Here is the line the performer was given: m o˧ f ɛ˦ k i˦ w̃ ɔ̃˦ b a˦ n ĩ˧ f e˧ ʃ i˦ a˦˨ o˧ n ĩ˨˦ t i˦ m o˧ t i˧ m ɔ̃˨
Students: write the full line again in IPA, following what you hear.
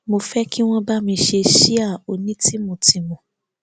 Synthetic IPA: m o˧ f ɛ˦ k i˦ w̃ ɔ̃˦ b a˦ m ĩ˧ ʃ e˧ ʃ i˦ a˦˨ o˧ n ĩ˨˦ t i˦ m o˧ t i˧ m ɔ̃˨